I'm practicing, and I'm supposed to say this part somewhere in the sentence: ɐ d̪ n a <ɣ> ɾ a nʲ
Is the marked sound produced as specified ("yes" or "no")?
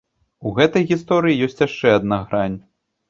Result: yes